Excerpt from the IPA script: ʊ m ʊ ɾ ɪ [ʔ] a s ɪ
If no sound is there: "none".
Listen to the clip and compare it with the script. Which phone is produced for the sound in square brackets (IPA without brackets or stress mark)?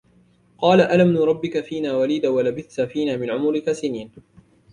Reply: k